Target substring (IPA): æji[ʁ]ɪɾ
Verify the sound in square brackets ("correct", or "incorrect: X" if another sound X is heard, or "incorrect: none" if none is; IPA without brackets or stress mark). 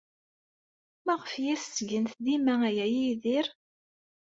incorrect: ð